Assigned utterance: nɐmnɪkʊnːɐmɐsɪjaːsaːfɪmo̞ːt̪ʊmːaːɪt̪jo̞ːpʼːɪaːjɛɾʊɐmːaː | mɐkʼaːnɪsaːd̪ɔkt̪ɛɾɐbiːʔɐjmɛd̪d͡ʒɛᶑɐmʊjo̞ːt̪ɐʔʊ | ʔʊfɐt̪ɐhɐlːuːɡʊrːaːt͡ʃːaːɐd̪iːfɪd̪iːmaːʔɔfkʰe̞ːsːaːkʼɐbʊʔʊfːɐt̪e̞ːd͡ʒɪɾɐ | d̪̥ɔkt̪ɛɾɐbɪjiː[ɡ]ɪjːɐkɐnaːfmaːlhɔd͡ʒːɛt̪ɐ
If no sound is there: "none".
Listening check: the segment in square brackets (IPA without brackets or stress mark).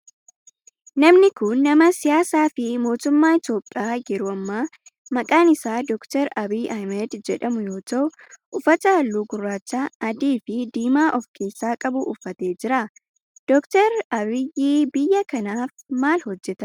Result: b